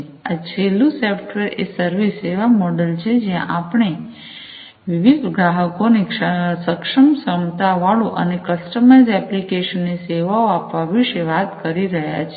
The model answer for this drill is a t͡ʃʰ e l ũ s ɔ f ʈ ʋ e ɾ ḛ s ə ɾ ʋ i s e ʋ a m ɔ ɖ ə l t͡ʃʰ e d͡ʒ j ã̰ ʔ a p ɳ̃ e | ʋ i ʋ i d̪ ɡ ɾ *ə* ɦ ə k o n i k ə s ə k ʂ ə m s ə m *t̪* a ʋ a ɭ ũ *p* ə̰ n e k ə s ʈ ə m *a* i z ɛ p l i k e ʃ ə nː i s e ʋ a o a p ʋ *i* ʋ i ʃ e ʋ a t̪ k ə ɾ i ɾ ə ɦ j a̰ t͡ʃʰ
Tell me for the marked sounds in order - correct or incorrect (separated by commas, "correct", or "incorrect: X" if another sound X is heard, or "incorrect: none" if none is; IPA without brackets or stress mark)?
incorrect: a, correct, incorrect: ʔ, correct, incorrect: a